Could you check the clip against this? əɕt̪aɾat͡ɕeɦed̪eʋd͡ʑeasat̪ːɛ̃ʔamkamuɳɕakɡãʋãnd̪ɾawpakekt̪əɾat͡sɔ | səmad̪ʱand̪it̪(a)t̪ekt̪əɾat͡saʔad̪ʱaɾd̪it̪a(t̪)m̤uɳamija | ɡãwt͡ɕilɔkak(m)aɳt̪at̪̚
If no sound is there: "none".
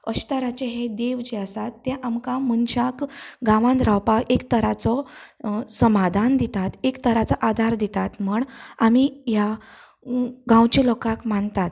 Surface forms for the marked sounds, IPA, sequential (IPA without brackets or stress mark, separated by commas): a, t̪, m